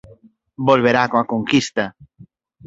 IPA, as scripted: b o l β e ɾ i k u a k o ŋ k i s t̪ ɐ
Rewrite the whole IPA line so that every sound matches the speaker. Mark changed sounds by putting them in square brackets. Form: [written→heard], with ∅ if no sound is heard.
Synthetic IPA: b o l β e ɾ [i→a] k [u→o] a k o ŋ k i s t̪ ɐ